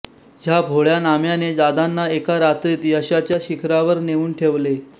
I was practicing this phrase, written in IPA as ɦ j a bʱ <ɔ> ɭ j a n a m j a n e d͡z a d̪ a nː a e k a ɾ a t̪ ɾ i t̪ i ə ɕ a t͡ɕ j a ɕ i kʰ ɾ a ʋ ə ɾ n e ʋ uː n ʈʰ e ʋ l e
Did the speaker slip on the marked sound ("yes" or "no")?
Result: yes